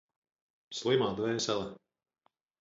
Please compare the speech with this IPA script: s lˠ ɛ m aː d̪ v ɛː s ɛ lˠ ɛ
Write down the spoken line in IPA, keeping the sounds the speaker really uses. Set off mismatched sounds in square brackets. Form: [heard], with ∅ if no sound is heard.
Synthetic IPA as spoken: s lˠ [i] m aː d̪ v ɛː s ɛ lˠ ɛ